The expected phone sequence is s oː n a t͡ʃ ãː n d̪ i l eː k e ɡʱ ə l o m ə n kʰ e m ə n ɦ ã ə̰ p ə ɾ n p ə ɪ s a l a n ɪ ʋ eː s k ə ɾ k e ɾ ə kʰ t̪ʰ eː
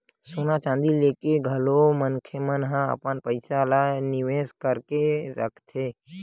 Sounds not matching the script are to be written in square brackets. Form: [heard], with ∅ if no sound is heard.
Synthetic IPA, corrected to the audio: s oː n a t͡ʃ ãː n d̪ i l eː k e ɡʱ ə l o m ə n kʰ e m ə n ɦ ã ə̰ p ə [∅] n p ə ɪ s a l a n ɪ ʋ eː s k ə ɾ k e ɾ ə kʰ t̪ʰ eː